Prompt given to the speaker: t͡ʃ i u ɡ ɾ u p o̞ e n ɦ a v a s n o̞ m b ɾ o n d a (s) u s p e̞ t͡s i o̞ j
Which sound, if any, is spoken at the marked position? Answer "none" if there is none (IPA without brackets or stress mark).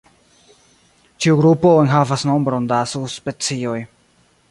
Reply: s